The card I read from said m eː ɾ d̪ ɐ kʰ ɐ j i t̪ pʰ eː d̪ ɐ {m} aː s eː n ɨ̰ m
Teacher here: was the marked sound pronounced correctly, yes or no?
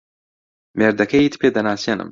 no